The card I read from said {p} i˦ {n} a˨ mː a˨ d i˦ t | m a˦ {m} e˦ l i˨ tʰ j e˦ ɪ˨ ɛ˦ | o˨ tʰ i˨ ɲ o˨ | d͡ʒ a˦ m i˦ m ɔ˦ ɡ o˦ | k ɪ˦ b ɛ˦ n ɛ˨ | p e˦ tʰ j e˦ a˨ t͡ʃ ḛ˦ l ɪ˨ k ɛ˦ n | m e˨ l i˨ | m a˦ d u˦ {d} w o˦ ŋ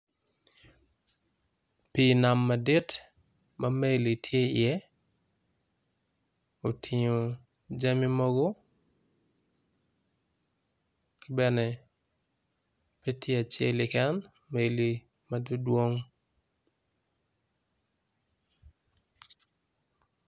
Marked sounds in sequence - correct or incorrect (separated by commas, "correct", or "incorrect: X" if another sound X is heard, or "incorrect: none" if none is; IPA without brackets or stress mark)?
correct, correct, correct, correct